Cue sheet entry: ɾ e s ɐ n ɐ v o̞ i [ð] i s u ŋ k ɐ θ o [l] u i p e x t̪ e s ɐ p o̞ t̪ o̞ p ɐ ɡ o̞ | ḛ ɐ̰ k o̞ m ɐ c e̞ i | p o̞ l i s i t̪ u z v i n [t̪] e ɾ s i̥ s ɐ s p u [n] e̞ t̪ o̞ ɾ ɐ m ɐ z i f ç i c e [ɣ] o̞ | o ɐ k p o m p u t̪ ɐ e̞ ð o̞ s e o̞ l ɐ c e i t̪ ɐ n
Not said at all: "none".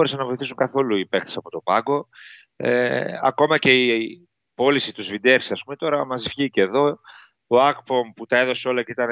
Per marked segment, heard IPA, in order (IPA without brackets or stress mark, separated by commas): θ, l, d̪, m, ð